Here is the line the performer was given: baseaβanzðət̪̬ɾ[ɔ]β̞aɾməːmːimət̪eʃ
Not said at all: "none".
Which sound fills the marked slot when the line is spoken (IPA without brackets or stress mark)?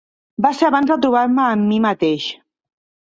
u